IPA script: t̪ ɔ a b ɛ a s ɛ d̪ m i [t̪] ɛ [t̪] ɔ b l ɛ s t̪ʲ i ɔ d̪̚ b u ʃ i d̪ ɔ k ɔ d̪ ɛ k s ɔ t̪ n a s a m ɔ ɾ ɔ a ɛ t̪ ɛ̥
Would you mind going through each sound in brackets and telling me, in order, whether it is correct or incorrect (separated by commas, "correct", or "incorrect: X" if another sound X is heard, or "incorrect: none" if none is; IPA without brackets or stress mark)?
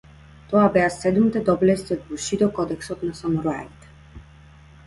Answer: correct, incorrect: d̪